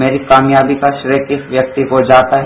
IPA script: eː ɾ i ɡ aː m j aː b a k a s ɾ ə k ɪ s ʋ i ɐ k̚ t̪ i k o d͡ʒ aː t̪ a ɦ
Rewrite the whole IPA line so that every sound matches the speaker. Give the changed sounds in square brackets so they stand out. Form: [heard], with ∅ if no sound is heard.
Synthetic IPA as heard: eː ɾ i [k] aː m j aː b [i] k a [ʃ] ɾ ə k ɪ s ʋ [j] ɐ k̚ t̪ i k o d͡ʒ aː t̪ a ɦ